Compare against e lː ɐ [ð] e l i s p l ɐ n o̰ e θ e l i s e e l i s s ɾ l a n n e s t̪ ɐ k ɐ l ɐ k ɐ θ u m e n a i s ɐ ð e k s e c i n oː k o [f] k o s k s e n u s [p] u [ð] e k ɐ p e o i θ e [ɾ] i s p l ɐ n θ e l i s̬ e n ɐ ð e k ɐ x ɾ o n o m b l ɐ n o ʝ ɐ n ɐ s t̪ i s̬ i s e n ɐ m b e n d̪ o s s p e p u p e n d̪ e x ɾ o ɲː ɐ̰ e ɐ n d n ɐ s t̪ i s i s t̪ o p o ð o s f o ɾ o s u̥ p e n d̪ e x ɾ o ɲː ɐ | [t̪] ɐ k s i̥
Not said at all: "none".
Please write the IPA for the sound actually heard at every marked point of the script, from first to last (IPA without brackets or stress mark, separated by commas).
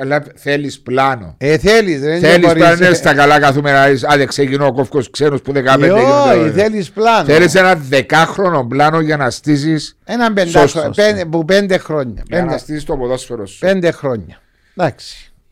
θ, f, p, ð, l, d̪